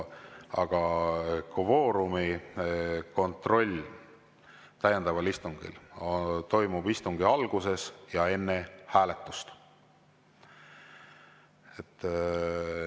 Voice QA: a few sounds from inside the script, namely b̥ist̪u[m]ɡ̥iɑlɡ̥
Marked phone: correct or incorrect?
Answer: incorrect